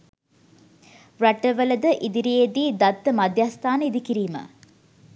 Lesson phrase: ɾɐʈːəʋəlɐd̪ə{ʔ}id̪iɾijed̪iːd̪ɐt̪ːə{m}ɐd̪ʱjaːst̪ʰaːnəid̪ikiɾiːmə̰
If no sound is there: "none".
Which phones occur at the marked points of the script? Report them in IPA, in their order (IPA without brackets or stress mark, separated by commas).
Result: ʔ, m